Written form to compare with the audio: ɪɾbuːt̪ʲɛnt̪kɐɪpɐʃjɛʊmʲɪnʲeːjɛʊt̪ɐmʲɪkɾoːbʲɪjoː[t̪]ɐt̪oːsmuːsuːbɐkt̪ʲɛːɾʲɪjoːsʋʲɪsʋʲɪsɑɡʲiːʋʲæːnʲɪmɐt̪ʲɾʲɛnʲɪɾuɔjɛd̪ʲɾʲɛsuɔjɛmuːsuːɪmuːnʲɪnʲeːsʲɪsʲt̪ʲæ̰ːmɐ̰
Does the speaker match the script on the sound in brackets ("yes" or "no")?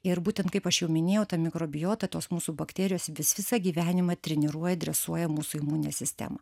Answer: yes